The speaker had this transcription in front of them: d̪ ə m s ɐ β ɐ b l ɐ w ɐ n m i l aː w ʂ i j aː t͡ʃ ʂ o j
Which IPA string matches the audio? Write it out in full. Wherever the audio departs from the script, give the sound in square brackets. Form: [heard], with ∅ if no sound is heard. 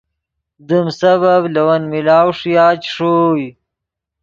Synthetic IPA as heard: d̪ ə m s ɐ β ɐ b l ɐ w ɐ n m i l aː w ʂ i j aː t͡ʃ ʂ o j